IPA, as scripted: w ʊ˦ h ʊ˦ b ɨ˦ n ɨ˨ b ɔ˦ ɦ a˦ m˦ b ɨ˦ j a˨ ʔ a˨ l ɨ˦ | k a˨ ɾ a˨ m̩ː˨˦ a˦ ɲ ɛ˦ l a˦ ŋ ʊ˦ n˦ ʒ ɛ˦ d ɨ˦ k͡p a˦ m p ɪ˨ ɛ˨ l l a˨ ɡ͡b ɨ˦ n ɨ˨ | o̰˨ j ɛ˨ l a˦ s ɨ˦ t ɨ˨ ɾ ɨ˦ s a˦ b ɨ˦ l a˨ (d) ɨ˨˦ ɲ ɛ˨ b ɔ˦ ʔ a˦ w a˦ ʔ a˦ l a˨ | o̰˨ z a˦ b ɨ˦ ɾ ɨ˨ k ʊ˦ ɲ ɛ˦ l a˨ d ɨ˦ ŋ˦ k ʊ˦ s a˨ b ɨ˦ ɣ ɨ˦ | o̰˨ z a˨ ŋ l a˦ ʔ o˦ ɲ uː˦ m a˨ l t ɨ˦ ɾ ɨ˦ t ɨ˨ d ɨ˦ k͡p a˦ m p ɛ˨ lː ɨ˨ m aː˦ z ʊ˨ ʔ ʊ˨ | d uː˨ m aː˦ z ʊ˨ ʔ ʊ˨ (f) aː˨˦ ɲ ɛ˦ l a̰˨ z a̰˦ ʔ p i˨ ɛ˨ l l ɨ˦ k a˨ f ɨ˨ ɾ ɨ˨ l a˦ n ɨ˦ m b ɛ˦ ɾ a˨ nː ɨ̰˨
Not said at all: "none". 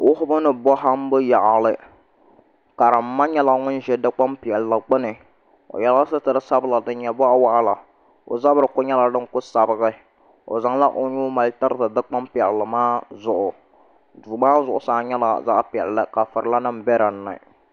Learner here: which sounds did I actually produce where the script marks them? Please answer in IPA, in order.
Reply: d, s

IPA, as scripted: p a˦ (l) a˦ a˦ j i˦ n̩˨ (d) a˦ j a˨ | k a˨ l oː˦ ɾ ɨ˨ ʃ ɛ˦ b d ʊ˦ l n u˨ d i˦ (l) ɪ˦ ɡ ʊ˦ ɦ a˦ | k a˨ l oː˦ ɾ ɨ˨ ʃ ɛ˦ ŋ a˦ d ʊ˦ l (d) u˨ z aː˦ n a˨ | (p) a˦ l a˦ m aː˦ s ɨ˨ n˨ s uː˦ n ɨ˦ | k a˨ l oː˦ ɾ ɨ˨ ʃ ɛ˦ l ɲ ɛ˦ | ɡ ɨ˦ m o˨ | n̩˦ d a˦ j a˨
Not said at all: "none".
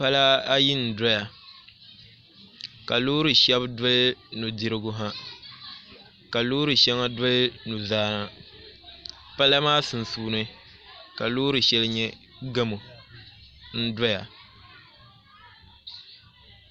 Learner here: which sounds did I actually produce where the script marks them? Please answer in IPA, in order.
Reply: l, d, ɾ, n, p

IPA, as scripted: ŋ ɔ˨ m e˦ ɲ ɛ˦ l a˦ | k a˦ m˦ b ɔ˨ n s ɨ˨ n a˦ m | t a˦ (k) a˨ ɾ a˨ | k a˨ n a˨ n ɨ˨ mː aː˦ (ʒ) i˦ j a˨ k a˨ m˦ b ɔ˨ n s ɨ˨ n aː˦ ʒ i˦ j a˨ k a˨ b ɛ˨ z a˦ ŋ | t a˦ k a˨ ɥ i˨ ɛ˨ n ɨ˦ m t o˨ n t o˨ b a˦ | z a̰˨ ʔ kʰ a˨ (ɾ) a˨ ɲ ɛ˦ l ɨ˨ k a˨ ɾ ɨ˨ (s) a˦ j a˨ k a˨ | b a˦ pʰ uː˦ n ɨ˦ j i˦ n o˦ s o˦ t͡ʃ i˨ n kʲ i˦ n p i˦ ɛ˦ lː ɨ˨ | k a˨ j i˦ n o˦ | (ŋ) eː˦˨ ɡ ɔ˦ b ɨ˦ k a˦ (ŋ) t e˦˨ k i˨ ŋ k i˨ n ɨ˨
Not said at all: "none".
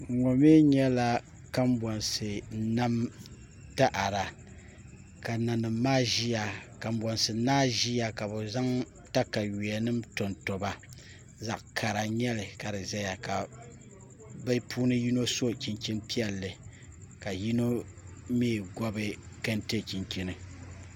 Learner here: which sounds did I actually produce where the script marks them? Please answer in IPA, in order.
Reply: ʔ, ʒ, ɾ, z, m, n

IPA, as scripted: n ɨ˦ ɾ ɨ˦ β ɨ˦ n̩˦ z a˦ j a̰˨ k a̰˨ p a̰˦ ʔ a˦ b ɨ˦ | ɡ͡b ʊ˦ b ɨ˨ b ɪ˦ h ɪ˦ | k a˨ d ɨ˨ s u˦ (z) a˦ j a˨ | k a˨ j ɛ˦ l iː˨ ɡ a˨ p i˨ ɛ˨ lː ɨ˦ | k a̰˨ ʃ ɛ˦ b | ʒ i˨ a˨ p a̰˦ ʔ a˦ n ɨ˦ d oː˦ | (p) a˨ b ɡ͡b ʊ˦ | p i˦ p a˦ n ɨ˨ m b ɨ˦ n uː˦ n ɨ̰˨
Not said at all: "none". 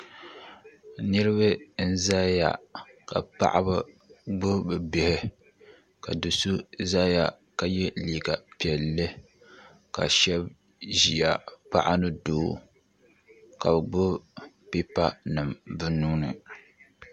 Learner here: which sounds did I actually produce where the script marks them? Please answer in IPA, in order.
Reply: z, k

